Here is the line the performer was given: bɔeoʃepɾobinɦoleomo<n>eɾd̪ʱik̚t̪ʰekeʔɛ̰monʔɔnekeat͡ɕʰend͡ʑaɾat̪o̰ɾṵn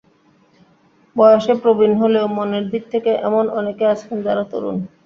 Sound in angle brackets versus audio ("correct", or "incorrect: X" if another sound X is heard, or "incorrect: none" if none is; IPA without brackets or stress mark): correct